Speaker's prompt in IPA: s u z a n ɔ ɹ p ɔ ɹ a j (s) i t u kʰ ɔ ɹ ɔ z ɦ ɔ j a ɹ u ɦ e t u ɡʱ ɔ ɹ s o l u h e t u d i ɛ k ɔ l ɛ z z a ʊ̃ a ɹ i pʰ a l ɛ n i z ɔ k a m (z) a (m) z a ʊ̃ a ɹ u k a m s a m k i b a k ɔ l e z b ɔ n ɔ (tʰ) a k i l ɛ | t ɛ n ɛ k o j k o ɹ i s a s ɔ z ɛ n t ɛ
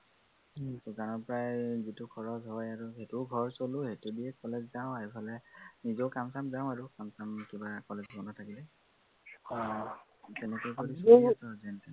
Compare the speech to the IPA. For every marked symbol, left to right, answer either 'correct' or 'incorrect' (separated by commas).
incorrect, incorrect, correct, correct